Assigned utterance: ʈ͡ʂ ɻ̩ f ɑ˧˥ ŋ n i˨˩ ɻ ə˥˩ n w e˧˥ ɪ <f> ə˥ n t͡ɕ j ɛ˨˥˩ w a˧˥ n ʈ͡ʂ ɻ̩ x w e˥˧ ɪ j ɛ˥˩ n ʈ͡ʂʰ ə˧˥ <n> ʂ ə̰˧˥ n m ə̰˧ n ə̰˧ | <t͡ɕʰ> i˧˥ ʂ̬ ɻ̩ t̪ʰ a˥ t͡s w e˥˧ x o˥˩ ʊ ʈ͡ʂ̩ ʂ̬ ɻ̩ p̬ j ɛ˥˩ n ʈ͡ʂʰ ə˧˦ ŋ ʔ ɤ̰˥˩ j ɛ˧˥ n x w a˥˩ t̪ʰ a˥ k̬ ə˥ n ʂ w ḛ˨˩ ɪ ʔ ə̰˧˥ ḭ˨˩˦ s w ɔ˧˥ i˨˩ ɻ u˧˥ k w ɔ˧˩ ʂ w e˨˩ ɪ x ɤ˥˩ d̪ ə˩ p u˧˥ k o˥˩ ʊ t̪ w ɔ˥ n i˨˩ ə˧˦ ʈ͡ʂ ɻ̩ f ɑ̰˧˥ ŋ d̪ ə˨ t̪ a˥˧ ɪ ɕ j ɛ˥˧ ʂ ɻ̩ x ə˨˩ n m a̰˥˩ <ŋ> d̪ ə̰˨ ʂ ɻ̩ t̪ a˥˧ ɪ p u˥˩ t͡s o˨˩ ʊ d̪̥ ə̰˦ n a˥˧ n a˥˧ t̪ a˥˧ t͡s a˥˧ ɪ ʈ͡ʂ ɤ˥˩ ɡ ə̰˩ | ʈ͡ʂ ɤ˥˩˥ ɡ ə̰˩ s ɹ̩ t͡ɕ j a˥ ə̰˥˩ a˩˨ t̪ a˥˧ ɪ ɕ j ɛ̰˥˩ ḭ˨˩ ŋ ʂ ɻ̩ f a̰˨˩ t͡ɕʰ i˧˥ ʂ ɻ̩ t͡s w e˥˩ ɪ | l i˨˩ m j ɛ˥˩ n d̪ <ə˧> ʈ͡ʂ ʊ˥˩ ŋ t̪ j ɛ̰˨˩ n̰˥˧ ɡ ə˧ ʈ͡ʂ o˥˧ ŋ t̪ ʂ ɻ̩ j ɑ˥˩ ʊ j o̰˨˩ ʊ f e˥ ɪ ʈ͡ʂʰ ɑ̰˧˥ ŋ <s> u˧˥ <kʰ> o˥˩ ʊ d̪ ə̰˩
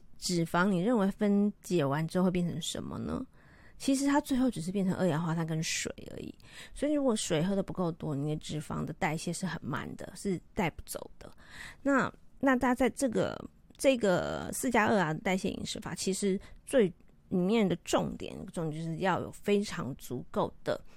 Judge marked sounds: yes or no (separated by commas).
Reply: yes, no, yes, no, no, no, no